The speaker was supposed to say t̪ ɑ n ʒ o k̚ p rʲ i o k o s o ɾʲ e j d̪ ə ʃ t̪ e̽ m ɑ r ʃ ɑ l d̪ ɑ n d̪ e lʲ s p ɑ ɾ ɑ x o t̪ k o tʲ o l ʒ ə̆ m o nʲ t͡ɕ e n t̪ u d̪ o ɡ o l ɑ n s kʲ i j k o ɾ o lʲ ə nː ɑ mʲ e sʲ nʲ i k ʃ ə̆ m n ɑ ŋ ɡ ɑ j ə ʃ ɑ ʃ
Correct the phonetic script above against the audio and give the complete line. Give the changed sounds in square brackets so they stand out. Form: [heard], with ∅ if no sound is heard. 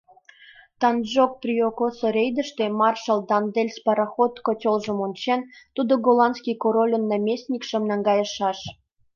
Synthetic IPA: t̪ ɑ n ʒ o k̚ p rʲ i o k o s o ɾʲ e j d̪ ə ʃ t̪ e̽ m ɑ r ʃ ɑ l d̪ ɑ n d̪ e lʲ s p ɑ ɾ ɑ x o t̪ k o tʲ o l ʒ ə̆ m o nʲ t͡ɕ e n t̪ u d̪ o ɡ o l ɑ n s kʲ i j k o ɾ o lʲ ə nː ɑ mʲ e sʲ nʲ i k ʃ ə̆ m n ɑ ŋ ɡ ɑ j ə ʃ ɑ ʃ